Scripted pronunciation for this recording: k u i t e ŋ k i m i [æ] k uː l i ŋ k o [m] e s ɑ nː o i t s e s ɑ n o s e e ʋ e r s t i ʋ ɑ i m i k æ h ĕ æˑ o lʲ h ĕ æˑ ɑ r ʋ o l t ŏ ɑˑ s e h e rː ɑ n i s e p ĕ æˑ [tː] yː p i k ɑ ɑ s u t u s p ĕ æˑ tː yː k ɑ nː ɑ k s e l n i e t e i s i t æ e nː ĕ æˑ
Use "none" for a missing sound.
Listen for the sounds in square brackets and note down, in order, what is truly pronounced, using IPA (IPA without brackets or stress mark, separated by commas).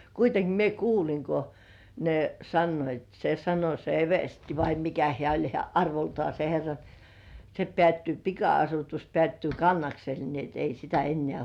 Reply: e, n, tː